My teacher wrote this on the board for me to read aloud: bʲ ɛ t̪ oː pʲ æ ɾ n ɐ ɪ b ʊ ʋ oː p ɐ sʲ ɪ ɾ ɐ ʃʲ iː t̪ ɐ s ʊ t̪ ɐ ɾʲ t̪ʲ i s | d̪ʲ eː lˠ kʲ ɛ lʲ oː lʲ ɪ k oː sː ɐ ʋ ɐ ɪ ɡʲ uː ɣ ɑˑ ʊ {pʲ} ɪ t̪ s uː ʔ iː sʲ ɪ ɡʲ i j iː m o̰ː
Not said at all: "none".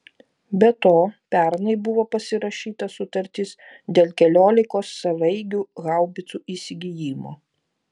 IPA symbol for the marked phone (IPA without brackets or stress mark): bʲ